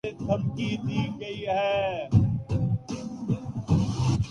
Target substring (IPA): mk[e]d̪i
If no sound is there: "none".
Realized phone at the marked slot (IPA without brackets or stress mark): i